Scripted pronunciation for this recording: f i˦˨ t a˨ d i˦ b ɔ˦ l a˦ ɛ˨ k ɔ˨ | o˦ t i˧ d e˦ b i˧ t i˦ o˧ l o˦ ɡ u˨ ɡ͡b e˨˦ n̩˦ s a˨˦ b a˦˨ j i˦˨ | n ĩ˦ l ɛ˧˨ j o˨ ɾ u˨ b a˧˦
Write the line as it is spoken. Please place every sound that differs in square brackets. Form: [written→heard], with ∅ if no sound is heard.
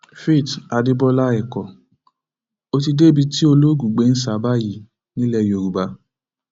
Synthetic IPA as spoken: f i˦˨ t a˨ d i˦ b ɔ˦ l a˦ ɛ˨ k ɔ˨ | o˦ t i˧ d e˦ b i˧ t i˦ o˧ l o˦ ɡ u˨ ɡ͡b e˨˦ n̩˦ s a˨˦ b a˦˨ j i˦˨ | n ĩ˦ l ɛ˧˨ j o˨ ɾ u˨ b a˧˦

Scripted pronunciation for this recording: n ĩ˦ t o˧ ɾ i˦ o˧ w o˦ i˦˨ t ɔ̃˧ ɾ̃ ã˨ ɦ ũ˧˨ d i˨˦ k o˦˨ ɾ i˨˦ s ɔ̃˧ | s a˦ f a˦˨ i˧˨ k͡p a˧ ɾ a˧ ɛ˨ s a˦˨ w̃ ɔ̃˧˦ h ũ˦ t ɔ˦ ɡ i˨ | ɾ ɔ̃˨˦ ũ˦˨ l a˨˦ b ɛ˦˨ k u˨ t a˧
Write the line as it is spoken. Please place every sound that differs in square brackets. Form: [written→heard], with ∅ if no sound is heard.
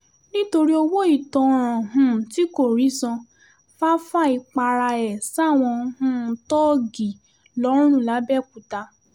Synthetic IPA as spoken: n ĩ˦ t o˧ ɾ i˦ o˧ w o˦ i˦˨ t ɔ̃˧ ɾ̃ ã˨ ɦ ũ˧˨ [d→t] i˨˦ k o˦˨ ɾ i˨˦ s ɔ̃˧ | [s→f] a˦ f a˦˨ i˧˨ k͡p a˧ ɾ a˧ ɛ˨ s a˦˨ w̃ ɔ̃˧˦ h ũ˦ t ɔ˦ ɡ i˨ | [ɾ→l] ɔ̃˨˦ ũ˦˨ l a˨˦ b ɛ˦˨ k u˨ t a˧

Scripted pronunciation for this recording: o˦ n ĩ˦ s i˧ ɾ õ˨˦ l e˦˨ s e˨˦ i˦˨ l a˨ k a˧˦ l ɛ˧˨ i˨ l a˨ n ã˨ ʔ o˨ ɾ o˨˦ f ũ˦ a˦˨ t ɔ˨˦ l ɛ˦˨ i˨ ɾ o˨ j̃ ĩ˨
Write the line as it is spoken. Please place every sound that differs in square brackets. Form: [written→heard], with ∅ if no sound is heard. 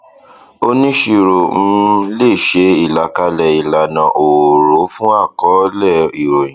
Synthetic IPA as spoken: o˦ n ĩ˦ [s→ʃ] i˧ ɾ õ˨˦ l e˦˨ [s→ʃ] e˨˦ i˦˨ l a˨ k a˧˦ l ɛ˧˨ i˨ l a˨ n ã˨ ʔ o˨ ɾ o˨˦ f ũ˦ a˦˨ [t→k] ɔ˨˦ l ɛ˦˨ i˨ ɾ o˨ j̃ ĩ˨

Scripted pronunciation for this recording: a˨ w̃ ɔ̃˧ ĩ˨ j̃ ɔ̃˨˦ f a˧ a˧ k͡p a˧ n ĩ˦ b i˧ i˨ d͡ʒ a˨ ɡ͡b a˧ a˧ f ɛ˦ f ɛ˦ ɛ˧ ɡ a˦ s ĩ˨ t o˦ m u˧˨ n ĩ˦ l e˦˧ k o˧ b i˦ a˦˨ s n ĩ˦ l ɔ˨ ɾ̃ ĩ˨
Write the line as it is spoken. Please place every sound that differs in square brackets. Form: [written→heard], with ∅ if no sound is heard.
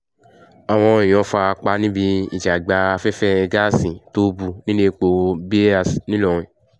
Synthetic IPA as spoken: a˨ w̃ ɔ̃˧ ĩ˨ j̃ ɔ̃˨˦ f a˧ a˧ k͡p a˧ n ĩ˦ b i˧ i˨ d͡ʒ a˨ ɡ͡b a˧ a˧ f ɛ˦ f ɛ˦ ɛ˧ ɡ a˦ s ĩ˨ t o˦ [m→b] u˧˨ n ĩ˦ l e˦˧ [k→k͡p] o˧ b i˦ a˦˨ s n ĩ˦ l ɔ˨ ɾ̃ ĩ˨

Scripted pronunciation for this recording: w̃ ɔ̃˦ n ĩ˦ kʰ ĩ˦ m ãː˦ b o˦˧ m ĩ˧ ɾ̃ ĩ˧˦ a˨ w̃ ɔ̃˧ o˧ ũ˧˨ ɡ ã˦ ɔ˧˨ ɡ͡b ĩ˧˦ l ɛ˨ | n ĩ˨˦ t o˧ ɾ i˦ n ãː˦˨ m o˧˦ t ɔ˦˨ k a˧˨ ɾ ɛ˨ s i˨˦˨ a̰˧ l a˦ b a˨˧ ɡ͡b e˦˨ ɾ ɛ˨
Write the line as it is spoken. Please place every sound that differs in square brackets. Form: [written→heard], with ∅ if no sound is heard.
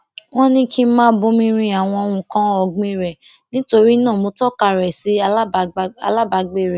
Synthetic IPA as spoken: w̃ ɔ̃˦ n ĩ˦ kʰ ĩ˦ m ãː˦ b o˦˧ m ĩ˧ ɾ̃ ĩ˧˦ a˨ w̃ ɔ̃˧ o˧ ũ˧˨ [ɡ→k] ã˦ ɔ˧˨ ɡ͡b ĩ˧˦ [l→ɾ] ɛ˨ | n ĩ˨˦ t o˧ ɾ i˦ n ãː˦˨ m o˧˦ t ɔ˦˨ k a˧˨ ɾ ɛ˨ s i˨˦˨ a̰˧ l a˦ b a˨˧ ɡ͡b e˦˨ ɾ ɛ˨

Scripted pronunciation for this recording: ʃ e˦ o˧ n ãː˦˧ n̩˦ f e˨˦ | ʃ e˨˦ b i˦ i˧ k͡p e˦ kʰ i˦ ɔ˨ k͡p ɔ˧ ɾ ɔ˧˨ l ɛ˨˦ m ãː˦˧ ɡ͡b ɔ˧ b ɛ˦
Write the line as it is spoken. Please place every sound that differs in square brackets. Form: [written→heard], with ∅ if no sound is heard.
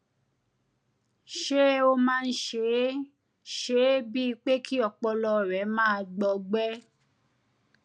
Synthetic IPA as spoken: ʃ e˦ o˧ [n→m] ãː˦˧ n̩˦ [f→ʃ] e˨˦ | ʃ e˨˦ b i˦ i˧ k͡p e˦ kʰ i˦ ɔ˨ k͡p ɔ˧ [ɾ→l] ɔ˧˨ [l→ɾ] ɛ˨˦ m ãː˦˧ ɡ͡b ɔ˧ [b→ɡ͡b] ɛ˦

